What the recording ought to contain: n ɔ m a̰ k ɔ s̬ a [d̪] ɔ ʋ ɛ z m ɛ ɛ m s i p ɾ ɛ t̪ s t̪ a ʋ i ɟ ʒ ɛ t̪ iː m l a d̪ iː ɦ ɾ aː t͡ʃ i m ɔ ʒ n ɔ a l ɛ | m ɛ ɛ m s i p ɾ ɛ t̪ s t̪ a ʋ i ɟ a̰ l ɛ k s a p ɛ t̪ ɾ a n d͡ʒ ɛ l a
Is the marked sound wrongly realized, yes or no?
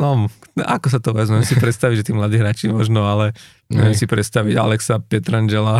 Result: yes